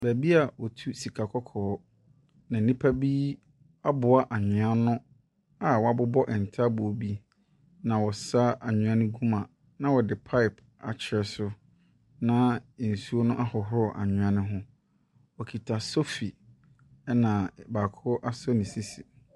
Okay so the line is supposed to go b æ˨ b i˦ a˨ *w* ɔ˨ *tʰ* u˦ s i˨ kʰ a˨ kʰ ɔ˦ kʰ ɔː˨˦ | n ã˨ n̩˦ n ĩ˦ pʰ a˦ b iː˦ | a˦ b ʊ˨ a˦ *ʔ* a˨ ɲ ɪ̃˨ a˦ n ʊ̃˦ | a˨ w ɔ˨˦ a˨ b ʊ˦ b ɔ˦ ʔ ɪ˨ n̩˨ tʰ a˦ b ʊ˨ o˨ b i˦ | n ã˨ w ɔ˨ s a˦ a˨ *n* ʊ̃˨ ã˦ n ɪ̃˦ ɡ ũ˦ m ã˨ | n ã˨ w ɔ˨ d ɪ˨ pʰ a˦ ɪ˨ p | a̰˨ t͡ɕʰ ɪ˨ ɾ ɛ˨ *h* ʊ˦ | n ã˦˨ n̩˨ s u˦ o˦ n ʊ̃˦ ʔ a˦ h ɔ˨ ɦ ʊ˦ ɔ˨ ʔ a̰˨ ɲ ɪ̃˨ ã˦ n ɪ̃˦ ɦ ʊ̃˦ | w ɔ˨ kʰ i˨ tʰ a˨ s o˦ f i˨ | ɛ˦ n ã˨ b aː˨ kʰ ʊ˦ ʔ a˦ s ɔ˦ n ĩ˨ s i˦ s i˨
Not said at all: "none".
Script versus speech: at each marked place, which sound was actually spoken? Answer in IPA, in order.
w, tʰ, ʔ, ɲ, s

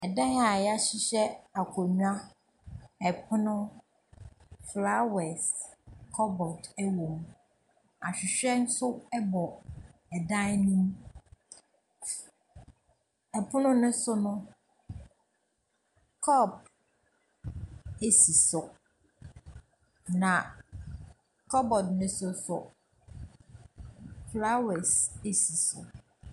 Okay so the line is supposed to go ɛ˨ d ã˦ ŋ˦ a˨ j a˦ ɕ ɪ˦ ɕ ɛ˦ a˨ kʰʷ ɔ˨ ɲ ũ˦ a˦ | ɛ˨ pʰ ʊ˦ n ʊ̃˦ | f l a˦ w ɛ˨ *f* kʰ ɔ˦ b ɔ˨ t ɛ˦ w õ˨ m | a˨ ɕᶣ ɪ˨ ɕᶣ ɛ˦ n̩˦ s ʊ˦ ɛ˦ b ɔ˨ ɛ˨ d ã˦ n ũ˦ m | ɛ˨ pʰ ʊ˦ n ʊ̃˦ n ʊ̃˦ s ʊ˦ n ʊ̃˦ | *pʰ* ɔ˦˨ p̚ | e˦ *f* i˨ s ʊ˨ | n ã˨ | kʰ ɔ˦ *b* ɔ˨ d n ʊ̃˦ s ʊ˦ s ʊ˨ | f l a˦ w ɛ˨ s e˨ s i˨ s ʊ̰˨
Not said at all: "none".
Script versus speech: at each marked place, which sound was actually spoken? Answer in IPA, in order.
s, kʰ, s, b

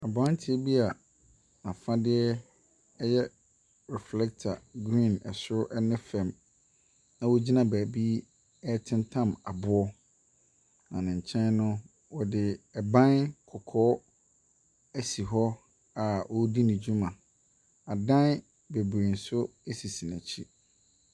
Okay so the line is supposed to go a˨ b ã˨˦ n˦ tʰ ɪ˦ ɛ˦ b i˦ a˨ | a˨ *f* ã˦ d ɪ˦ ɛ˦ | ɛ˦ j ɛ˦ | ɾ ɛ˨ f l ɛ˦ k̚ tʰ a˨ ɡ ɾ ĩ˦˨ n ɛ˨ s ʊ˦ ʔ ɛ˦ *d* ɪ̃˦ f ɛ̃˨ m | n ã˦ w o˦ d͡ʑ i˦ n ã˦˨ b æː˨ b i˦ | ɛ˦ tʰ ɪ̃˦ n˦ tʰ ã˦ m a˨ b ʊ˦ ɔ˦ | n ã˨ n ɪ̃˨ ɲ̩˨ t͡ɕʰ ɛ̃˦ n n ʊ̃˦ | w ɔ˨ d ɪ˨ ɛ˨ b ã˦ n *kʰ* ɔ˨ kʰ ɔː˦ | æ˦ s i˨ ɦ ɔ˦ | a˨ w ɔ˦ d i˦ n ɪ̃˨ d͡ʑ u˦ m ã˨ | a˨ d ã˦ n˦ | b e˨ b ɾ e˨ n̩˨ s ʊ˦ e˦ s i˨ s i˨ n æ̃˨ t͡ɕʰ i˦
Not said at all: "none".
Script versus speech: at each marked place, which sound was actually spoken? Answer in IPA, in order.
f, n, kʰ

